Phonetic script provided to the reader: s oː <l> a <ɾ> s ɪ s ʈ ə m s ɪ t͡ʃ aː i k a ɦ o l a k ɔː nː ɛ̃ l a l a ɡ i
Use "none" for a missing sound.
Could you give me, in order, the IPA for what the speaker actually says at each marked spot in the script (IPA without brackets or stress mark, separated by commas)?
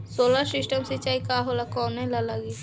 l, ɾ